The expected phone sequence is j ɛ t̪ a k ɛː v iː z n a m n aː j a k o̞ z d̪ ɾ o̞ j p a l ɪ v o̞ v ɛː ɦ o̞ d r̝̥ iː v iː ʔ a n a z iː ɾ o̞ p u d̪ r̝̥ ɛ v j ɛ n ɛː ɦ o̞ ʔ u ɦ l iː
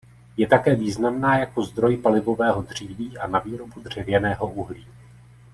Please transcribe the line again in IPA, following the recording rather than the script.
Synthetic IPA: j ɛ t̪ a k ɛː v iː z n a m n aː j a k o̞ z d̪ ɾ o̞ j p a l ɪ v o̞ v ɛː ɦ o̞ d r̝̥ iː v iː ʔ a n a v iː ɾ o̞ b u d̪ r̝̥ ɛ v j ɛ n ɛː ɦ o̞ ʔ u ɦ l iː